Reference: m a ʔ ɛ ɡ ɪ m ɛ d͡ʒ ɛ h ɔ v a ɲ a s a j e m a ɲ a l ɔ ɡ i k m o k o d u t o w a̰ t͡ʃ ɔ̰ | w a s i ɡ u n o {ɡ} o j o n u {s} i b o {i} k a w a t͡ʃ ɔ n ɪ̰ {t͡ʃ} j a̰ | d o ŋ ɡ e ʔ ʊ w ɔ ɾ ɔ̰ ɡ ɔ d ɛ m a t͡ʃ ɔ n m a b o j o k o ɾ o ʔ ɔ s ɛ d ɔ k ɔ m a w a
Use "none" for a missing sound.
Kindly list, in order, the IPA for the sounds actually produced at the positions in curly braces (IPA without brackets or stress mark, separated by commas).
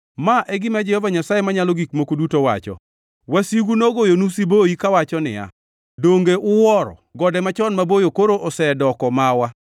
ɡ, s, i, none